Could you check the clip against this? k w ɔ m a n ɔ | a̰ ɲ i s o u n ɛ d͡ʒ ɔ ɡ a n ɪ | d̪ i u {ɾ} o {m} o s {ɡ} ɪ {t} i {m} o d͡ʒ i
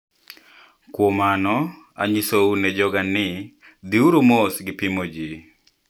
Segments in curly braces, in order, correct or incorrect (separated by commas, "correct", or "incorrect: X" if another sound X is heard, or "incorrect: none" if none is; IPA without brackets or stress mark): correct, correct, correct, incorrect: p, correct